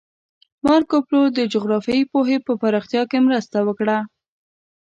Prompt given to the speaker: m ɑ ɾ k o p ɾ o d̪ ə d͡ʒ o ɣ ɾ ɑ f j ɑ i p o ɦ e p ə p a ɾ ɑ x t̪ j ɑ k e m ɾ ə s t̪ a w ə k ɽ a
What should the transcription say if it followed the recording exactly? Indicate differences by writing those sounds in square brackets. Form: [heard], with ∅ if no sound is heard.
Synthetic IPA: m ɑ ɾ k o p [l] o d̪ ə d͡ʒ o ɣ ɾ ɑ f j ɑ i p o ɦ e p ə p a ɾ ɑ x t̪ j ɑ k e m ɾ ə s t̪ a w ə k ɽ a